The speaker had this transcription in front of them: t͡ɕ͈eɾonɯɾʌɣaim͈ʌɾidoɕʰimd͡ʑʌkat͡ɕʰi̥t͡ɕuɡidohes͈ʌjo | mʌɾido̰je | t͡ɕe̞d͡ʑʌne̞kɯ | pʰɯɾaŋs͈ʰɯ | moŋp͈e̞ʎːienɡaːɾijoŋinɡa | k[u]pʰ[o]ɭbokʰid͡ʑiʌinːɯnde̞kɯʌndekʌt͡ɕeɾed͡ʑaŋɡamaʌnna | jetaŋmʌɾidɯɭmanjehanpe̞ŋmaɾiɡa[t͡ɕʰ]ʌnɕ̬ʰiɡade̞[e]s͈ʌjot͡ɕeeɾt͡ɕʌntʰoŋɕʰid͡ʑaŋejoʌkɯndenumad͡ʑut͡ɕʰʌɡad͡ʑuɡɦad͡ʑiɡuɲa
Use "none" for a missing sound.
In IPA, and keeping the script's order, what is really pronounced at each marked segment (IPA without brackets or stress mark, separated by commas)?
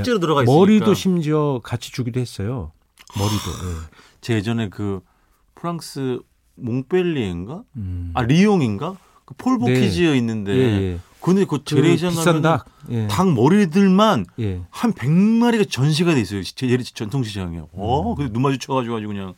ɯ, o, t͡ɕ, i